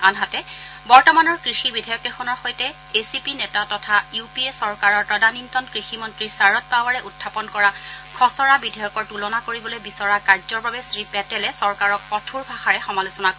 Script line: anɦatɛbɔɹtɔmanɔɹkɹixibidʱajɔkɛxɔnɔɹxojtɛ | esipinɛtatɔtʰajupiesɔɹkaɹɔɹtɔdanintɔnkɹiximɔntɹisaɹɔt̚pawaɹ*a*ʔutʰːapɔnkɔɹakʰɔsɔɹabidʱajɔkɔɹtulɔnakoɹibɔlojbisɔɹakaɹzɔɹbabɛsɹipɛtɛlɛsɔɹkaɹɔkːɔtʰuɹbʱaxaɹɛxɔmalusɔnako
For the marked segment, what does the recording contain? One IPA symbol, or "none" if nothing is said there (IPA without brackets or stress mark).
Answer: ɛ